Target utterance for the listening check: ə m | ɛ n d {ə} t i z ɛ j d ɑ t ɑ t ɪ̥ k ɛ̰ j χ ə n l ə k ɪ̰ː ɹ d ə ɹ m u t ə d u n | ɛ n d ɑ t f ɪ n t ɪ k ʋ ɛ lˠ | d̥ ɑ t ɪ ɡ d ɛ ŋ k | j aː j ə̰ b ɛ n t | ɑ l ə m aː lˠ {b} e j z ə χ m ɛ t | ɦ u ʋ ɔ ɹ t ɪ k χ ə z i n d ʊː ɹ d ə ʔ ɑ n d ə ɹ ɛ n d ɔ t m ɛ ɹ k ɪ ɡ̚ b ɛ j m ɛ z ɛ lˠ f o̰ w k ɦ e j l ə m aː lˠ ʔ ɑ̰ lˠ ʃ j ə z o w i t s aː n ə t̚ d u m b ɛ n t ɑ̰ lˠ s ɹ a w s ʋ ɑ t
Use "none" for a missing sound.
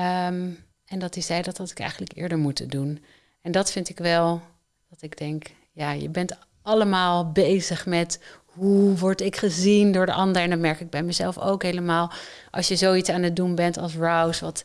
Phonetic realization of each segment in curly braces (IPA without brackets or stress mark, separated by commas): ɑ, b